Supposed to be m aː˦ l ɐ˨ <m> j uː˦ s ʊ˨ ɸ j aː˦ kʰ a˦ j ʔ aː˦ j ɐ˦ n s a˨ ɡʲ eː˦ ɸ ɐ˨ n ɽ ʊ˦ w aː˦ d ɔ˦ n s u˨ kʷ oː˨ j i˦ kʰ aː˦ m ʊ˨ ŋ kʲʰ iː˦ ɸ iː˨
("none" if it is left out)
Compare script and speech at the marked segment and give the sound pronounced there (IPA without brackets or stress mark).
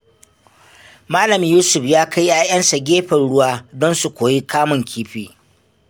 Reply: m